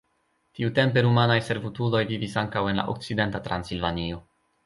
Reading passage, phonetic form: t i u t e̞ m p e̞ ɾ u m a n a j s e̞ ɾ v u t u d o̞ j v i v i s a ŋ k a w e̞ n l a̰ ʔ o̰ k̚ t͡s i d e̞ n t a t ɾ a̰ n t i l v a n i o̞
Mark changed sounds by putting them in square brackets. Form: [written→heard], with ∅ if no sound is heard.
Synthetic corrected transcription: t i u t e̞ m p e̞ ɾ u m a n a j s e̞ ɾ v u t u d o̞ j v i v i s a ŋ k a w e̞ n l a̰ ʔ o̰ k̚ t͡s i d e̞ n t a t ɾ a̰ n [t→s] i l v a n i o̞